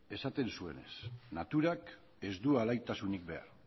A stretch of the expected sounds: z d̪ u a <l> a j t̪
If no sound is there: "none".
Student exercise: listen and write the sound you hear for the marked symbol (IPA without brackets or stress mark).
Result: l